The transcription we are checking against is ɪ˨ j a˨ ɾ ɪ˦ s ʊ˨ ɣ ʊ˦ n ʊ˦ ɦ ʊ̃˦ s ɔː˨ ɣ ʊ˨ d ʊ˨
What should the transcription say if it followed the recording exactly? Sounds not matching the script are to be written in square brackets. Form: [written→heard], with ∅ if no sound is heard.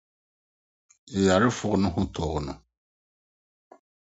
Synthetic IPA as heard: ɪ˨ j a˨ ɾ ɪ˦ [s→f] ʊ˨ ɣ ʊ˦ n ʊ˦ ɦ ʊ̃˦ [s→t] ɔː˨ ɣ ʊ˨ [d→n] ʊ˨